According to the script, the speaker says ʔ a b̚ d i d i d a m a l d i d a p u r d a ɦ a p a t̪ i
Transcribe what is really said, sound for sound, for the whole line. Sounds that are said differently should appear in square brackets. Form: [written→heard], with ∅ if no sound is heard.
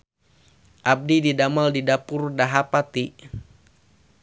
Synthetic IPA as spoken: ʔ a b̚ d i d i d a m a l d i d a p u r d a ɦ a p a t̪ i